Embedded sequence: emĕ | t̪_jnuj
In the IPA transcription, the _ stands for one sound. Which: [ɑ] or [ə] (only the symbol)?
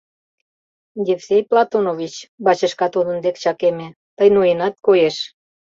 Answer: ə